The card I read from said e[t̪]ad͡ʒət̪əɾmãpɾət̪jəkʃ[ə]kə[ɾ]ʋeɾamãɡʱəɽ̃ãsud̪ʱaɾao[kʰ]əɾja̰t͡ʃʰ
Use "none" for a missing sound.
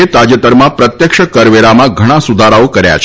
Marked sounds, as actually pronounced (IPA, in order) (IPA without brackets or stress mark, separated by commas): t̪, ə, ɾ, k